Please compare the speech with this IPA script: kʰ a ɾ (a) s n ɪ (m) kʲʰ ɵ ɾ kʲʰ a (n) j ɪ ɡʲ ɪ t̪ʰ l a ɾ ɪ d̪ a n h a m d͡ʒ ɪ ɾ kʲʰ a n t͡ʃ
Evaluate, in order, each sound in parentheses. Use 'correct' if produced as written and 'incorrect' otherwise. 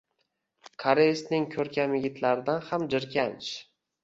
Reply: incorrect, incorrect, incorrect

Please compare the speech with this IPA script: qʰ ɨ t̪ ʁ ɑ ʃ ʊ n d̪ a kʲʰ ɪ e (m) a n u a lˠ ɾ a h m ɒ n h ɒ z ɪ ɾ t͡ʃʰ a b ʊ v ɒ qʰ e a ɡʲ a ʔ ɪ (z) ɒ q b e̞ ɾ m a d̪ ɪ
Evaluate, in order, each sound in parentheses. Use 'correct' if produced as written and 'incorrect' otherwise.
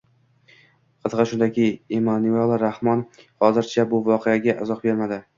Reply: correct, correct

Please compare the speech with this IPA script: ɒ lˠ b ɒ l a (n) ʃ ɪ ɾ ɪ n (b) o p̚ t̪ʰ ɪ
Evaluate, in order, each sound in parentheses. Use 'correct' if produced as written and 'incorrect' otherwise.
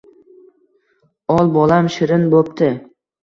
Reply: incorrect, correct

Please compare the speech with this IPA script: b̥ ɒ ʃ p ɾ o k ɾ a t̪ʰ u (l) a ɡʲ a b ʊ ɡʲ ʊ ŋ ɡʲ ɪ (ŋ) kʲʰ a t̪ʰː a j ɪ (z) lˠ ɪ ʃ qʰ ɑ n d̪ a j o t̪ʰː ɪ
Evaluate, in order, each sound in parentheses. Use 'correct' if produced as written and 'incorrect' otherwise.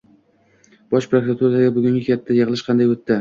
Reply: incorrect, incorrect, incorrect

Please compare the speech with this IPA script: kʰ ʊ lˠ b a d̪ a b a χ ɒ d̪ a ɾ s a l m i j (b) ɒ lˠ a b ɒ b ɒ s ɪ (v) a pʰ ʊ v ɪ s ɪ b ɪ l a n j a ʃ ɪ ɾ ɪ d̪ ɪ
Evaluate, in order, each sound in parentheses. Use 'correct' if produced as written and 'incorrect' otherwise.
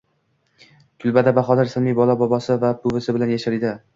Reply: correct, correct

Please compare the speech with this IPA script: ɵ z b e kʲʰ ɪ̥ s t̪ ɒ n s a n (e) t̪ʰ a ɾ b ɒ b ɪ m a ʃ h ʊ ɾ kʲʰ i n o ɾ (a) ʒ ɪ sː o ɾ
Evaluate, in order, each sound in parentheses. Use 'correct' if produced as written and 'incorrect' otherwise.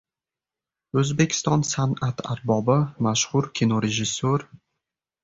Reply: incorrect, incorrect

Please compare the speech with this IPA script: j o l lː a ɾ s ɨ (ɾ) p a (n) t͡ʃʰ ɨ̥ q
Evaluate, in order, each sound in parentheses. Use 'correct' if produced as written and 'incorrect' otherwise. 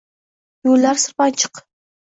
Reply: correct, correct

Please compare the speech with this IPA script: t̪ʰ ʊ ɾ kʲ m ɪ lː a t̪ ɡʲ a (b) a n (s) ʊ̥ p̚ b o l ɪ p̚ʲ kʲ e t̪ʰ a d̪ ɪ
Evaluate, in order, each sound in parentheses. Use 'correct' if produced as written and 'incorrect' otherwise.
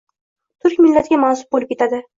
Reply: incorrect, correct

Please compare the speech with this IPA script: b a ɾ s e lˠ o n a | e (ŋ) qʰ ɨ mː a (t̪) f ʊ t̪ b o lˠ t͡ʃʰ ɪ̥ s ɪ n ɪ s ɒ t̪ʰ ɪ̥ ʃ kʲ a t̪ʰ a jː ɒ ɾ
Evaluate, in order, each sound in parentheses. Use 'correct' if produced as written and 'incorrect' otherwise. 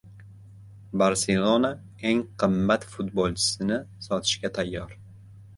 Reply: correct, correct

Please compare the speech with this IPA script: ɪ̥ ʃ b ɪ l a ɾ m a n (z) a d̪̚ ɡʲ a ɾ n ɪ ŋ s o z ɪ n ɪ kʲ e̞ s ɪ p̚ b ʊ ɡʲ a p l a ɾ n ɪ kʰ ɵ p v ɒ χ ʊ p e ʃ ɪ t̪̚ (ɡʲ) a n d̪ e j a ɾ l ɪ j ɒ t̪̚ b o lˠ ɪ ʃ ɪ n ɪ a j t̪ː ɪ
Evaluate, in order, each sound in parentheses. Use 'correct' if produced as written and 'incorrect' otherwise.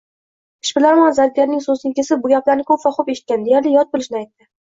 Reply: correct, incorrect

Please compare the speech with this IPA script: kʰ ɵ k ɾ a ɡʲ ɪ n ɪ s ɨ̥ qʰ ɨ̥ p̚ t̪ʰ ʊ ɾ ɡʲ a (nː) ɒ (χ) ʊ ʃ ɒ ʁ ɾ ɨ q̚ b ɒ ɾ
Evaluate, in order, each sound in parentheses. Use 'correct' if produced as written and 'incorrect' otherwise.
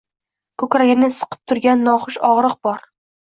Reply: correct, correct

